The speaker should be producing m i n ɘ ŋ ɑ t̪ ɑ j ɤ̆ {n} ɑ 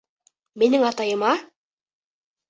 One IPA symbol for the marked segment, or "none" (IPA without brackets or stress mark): m